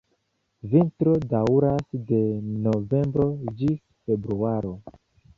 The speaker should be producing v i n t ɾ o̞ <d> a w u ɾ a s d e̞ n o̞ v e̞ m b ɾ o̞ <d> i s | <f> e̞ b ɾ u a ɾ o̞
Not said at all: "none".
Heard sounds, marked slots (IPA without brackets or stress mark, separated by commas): d, d͡ʒ, f